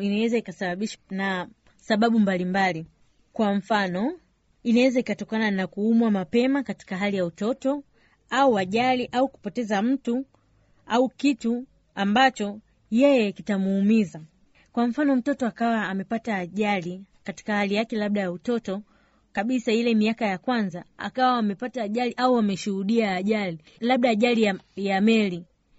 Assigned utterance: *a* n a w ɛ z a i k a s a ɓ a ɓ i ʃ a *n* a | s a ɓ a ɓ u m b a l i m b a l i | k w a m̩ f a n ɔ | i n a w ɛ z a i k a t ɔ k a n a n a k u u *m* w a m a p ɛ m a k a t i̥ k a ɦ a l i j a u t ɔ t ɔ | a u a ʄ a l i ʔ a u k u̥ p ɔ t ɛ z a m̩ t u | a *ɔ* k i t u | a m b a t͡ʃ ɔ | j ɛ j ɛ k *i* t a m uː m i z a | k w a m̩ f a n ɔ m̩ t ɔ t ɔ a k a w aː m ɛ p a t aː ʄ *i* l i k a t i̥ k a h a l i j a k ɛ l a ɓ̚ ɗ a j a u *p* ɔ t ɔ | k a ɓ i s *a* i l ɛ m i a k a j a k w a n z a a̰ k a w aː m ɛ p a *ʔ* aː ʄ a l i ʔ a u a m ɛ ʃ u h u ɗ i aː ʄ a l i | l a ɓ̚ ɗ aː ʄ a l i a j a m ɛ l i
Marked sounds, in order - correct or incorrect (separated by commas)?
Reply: incorrect, correct, correct, incorrect, correct, incorrect, incorrect, correct, incorrect